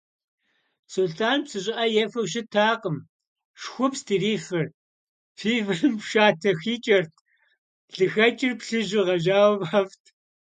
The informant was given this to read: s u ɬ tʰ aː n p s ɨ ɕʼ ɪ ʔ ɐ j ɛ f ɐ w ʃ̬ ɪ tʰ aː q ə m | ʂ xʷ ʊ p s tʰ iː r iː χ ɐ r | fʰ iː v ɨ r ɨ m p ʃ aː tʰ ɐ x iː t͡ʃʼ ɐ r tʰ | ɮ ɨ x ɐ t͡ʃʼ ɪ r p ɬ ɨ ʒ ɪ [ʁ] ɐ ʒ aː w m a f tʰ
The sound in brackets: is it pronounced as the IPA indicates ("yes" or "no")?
yes